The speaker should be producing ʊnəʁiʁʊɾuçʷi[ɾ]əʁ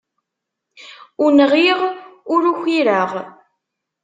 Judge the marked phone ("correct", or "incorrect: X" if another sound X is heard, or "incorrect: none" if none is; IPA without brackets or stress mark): correct